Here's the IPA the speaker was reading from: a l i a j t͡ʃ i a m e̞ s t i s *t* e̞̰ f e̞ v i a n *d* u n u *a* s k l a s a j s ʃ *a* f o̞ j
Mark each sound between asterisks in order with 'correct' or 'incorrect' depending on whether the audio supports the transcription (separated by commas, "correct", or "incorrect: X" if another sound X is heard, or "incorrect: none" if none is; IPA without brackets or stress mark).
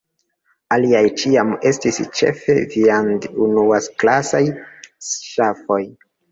incorrect: t͡ʃ, correct, correct, correct